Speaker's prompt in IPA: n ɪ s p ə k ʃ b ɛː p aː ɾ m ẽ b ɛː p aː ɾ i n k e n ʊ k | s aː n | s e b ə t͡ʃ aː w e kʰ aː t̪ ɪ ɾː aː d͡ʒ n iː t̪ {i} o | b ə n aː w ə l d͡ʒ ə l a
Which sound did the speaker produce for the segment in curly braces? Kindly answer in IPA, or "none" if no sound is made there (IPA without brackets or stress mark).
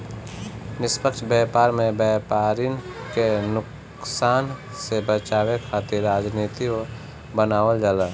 i